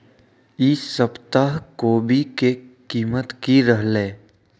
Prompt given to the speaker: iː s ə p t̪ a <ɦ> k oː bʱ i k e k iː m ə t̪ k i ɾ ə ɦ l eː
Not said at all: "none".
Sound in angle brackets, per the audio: ɦ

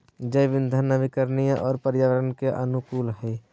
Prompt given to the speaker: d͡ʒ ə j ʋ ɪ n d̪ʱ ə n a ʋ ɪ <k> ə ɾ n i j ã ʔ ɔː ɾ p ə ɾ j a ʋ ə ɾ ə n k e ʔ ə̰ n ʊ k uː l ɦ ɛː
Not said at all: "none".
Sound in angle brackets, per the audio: k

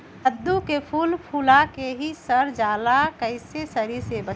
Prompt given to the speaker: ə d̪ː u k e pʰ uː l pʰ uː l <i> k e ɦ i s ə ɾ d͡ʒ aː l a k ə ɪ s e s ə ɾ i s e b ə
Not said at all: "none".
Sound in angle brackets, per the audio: a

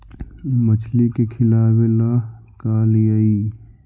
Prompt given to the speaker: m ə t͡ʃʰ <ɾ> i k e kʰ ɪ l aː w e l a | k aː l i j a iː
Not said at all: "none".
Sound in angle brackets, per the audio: l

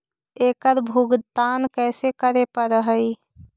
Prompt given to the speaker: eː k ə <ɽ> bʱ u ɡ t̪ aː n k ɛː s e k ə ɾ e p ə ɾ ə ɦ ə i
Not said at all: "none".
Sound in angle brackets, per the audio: ɾ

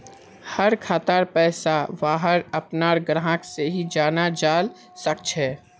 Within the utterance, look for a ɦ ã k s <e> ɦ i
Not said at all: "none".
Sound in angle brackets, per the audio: e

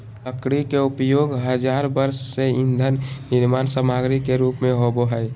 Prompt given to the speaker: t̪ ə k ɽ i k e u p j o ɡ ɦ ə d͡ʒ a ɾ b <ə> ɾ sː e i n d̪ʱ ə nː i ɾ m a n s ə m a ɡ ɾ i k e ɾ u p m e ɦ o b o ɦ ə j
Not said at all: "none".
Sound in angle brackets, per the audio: ə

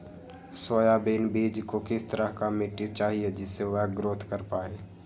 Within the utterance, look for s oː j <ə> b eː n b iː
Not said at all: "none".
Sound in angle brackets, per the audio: a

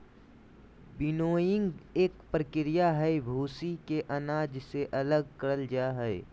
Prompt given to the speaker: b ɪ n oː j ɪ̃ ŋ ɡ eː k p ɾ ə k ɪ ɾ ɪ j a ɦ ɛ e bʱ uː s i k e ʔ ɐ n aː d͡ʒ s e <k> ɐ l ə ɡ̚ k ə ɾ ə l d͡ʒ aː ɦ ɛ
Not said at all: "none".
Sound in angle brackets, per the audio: ʔ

